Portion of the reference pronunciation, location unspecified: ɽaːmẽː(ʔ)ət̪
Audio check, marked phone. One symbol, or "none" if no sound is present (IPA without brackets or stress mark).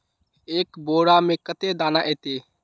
k